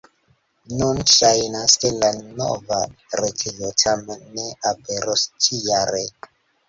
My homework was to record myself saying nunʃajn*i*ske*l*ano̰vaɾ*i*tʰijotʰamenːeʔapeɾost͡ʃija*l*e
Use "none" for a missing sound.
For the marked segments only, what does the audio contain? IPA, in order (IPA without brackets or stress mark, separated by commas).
a, l, e, ɾ